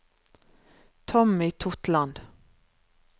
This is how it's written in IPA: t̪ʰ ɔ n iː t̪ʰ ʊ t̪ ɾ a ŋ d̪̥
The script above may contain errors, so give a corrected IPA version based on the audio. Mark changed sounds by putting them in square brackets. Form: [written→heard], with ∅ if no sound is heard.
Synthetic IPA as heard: t̪ʰ ɔ [n→m] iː t̪ʰ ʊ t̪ [ɾ→l] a [ŋ→n] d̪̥